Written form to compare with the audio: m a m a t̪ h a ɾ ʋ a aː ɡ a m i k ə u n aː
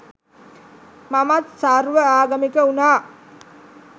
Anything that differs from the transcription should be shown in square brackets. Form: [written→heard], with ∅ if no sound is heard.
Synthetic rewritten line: m a m a t̪ [h→s] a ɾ ʋ [a→ə] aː ɡ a m i k ə u n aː